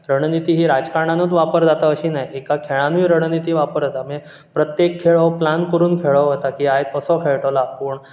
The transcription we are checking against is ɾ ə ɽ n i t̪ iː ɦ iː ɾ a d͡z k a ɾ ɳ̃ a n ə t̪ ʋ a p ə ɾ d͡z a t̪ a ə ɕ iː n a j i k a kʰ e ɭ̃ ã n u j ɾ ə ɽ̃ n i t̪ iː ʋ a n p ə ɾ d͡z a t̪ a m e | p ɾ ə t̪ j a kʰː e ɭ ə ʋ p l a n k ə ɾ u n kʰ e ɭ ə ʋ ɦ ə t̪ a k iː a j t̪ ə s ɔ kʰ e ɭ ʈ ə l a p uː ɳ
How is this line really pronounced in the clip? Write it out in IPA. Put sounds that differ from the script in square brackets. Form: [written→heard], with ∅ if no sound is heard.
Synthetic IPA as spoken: ɾ ə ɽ n i t̪ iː ɦ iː ɾ a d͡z k a ɾ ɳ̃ a n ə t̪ ʋ a p ə ɾ d͡z a t̪ a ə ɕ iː n a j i k a kʰ e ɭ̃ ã n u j ɾ ə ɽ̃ n i t̪ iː ʋ a [n→∅] p ə ɾ d͡z a t̪ a m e | p ɾ ə t̪ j [a→e] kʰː e ɭ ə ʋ p l a n k ə ɾ [u→uː] n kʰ e ɭ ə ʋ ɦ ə t̪ a k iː a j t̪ ə s ɔ kʰ e ɭ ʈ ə l a p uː ɳ